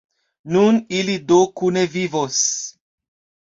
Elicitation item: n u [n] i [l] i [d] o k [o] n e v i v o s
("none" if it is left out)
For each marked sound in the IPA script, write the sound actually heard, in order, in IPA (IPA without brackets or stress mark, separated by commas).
n, l, d, u